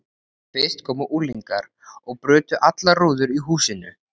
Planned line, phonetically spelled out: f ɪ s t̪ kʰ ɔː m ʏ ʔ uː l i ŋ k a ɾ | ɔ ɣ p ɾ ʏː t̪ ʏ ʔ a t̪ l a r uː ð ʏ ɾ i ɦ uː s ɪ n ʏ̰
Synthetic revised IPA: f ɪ s t̪ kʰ ɔː m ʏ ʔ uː l i ŋ k a ɾ | ɔ ɣ p ɾ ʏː t̪ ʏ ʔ a t̪ l a r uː ð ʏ ɾ i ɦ uː s ɪ n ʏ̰